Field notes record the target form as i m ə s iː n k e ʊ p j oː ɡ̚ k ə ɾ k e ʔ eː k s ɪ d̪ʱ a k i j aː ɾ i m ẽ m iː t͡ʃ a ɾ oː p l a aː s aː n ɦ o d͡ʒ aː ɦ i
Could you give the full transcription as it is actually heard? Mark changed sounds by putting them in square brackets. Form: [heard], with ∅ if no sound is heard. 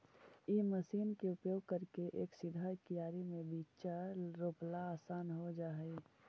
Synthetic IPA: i m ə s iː n k e ʊ p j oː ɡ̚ k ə ɾ k e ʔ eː k s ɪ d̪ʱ a k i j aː ɾ i m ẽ [b] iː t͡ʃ a ɾ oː p l a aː s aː n ɦ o d͡ʒ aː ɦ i